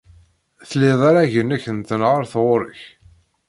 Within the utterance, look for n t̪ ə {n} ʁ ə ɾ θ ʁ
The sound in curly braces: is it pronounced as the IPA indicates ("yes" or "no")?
yes